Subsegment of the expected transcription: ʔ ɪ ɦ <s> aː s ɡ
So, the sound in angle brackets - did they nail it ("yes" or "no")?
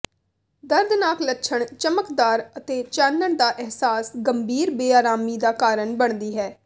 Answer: yes